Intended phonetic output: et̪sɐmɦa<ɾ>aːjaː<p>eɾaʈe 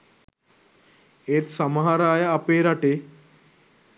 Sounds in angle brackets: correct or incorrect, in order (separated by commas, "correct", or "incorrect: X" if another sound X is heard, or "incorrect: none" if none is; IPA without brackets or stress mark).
correct, correct